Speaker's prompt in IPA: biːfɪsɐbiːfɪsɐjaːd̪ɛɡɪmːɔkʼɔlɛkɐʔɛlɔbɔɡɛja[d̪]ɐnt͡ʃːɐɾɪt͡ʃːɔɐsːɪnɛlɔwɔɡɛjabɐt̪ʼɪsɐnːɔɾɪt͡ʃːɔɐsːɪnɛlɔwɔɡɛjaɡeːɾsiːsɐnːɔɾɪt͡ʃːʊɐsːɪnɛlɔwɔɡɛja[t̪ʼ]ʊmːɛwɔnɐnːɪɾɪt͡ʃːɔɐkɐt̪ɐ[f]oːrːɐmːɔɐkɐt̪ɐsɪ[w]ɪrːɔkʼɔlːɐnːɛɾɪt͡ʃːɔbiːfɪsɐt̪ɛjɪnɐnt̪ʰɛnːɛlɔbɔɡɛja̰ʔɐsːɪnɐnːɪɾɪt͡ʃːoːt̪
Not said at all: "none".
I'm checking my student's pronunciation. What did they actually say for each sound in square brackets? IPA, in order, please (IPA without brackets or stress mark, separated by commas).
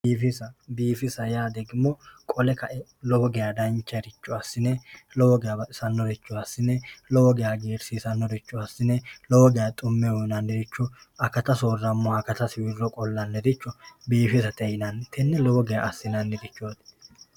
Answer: d̪, t̪ʼ, s, w